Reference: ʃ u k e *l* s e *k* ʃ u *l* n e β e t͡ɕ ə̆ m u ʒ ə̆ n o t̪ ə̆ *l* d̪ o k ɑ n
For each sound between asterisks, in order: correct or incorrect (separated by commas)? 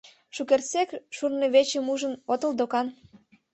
incorrect, correct, incorrect, correct